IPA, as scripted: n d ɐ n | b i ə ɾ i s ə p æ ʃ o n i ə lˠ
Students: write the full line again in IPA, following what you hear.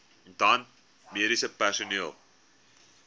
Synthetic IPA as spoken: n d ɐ n | m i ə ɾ i s ə p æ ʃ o n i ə lˠ